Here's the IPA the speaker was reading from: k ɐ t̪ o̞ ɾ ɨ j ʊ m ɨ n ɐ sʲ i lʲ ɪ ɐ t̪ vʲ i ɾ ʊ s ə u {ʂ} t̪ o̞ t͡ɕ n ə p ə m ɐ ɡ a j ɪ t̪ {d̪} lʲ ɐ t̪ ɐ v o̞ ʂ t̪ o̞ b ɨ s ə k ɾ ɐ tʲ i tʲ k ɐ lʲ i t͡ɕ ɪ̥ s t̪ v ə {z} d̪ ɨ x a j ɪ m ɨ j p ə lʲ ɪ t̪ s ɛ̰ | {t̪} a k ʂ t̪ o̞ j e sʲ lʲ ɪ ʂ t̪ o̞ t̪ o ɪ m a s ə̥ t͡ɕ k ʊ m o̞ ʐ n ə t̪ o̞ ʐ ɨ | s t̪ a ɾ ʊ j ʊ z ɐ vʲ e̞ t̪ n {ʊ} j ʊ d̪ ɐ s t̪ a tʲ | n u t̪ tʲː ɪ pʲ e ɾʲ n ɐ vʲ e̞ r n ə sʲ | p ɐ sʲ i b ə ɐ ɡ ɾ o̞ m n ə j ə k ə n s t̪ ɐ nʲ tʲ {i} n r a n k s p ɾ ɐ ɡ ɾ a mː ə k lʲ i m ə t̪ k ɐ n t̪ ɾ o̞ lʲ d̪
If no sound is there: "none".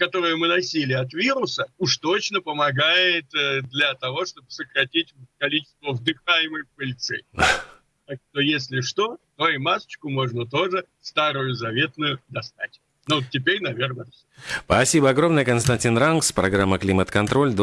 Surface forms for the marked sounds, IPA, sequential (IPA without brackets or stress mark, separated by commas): ʂ, d̪, v, t̪, ʊ, i